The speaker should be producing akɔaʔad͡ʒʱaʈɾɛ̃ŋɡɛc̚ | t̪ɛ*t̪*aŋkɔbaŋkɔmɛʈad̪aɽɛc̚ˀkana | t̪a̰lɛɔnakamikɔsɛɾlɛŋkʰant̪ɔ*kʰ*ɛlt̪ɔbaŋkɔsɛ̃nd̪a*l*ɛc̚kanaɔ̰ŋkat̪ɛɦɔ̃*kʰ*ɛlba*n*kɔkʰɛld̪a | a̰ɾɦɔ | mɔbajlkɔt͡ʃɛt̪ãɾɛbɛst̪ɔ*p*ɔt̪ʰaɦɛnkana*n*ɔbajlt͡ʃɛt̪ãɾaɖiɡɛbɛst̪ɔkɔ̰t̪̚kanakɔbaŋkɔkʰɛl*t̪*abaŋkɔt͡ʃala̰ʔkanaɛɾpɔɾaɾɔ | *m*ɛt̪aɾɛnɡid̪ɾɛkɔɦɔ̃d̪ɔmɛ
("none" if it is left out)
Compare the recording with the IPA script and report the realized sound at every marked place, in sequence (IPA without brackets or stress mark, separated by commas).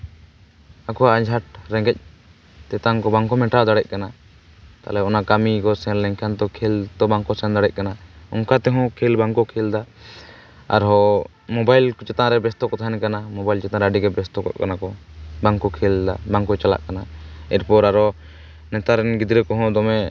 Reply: t̪, kʰ, ɽ, kʰ, ŋ, k, m, d̪, n